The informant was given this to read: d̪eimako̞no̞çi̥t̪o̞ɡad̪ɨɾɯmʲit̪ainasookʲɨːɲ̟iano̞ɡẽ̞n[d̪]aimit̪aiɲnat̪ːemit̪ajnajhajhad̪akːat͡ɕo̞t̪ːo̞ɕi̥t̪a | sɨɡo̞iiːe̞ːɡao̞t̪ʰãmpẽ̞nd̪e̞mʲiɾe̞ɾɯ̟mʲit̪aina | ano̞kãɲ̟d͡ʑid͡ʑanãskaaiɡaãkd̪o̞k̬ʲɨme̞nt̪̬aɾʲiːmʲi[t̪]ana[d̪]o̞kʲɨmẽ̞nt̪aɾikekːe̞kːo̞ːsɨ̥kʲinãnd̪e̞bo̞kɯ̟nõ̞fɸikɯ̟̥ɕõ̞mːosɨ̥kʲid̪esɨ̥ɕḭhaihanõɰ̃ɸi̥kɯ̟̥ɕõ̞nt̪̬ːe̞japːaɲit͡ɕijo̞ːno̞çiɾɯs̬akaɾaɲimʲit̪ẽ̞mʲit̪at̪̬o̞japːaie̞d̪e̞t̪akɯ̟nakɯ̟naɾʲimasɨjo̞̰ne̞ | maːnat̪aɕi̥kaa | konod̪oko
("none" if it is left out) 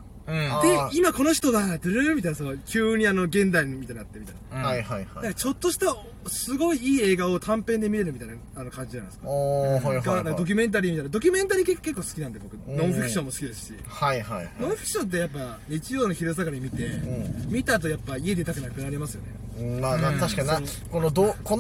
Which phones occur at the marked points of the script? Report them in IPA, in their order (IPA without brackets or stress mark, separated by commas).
d̪, t̪, d̪